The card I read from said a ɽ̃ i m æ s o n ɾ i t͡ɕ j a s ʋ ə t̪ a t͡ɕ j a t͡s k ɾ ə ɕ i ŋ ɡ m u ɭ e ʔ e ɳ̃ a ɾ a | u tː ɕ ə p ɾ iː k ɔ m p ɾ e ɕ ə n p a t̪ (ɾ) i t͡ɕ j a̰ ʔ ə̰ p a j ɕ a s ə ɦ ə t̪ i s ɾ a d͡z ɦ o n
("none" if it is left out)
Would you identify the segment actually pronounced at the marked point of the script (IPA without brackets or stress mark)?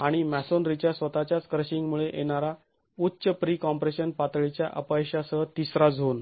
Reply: ɭ